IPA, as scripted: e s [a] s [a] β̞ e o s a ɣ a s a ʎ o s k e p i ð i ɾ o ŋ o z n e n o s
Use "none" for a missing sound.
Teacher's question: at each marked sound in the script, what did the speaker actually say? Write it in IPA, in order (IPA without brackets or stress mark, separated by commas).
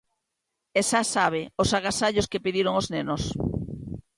a, a